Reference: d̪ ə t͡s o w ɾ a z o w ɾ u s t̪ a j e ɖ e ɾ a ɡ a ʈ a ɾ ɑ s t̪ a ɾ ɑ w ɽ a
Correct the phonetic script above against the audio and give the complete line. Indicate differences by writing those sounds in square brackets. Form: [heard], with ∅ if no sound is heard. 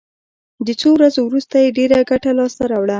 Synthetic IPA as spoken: d̪ ə t͡s o w ɾ a z o w ɾ u s t̪ a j e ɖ e ɾ a ɡ a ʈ a [l] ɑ s t̪ a ɾ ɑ w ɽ a